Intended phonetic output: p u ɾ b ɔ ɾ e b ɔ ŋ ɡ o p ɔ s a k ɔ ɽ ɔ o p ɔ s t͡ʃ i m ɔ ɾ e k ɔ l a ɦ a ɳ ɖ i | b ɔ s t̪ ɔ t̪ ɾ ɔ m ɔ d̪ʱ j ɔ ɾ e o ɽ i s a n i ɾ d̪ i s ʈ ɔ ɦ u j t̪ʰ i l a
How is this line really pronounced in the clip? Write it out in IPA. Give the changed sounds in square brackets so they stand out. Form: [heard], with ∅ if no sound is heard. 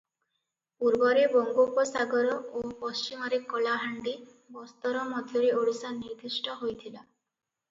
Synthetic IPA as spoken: p u ɾ b ɔ ɾ e b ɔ ŋ ɡ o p ɔ s a [ɡ] ɔ [ɾ] ɔ o p ɔ s t͡ʃ i m ɔ ɾ e k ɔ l a ɦ a ɳ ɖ i | b ɔ s t̪ ɔ [∅] ɾ ɔ m ɔ d̪ʱ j ɔ ɾ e o ɽ i s a n i ɾ d̪ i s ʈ ɔ ɦ [o] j t̪ʰ i l a